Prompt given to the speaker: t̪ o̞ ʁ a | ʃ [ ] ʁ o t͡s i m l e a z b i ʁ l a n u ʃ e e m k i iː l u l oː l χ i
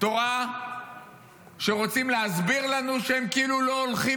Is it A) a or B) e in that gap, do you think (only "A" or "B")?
B